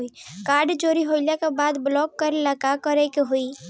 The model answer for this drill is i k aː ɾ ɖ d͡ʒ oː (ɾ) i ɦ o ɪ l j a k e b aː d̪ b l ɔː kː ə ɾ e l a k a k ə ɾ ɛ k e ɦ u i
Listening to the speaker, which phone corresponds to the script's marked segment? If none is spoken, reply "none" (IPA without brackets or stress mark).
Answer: ɾ